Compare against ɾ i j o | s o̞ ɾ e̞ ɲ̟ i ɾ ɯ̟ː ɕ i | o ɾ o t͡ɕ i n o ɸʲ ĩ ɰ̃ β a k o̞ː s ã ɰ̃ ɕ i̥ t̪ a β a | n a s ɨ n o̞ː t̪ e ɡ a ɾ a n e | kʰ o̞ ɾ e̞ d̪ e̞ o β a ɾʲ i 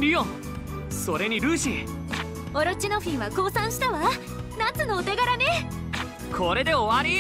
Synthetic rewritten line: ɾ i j o | s o̞ ɾ e̞ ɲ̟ i ɾ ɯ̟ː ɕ i | o ɾ o t͡ɕ i n o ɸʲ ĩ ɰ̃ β a k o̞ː s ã ɰ̃ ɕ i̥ t̪ a β a | n a t͡s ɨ n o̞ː t̪ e ɡ a ɾ a n e | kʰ o̞ ɾ e̞ d̪ e̞ o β a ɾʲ i